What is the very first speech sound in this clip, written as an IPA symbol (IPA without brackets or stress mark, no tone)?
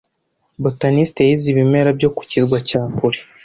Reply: b